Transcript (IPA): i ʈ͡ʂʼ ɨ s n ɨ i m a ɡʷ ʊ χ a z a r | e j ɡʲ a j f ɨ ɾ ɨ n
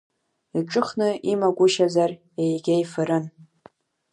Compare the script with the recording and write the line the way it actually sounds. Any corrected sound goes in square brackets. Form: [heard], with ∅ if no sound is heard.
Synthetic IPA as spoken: i ʈ͡ʂʼ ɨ [χ] n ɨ i m a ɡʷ ʊ [ʃ] a z a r | e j ɡʲ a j f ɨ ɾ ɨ n